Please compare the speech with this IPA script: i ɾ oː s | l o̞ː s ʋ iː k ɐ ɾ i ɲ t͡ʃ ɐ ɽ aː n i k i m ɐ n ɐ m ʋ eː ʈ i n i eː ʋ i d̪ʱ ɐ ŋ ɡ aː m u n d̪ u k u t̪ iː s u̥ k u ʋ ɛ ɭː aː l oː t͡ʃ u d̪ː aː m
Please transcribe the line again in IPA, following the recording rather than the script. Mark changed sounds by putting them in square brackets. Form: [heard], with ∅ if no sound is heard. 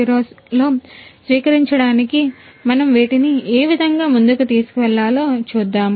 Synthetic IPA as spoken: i ɾ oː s | l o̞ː s ʋ iː k ɐ ɾ i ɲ t͡ʃ ɐ ɽ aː n i k i m ɐ n ɐ m ʋ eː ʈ i n i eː ʋ i d̪ʱ ɐ ŋ ɡ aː m u n d̪ u k u t̪ iː s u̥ k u ʋ ɛ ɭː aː l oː t͡ʃ [uː] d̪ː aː m